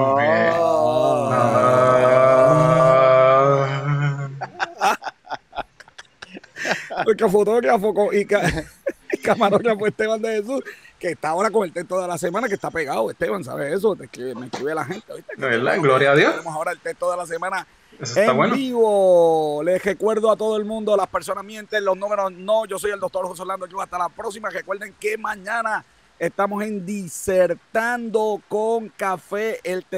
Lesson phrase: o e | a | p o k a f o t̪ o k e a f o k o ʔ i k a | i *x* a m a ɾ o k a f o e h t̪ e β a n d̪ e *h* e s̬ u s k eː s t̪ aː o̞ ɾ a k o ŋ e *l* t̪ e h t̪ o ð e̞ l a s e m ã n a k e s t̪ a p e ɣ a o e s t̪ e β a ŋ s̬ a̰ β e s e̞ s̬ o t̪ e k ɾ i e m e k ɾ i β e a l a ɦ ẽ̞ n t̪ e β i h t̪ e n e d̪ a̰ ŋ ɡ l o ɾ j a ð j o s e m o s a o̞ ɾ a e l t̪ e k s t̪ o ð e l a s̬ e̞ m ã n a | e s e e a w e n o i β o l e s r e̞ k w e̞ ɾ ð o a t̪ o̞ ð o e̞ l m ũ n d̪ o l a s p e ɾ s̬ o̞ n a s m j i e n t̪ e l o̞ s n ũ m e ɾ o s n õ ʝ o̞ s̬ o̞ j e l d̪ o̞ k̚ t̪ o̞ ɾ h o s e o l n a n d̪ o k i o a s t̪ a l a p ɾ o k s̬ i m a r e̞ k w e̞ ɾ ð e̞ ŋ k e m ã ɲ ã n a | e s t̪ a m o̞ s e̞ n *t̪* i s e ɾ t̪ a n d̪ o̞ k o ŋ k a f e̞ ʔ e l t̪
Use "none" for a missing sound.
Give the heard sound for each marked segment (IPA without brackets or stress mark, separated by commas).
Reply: k, h, l, d̪